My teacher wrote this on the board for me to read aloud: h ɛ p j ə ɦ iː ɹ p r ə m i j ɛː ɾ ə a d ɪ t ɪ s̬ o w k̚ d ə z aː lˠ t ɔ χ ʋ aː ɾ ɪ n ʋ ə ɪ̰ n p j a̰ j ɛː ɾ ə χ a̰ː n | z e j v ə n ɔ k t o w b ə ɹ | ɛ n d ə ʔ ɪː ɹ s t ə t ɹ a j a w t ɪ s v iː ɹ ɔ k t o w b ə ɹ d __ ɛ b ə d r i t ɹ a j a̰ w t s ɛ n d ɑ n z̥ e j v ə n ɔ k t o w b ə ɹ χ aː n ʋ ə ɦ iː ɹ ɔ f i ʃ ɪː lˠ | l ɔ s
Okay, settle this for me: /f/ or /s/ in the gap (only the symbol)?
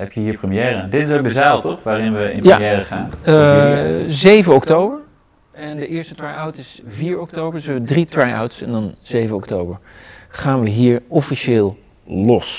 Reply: s